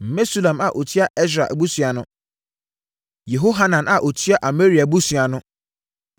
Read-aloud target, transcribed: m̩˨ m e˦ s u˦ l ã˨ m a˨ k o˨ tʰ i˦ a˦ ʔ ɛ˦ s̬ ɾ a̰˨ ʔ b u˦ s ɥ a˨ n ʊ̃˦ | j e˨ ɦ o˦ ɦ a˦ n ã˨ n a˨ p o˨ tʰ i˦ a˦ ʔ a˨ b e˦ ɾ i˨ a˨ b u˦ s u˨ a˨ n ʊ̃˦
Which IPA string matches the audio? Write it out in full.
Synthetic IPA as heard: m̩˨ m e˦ s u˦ l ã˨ m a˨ ʔ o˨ tʰ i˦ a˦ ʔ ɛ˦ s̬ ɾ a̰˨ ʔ b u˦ s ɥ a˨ n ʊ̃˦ | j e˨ ɦ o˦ ɦ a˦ n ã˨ n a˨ ʔ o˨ tʰ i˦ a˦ ʔ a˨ m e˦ ɾ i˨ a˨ b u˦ s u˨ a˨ n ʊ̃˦